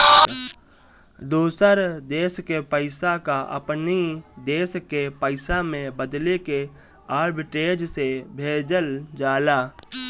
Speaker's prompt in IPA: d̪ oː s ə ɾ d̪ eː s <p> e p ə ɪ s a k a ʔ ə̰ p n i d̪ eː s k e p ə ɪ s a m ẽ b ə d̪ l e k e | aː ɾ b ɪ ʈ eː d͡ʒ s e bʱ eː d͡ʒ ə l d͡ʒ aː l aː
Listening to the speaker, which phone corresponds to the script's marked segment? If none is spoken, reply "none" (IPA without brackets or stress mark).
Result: k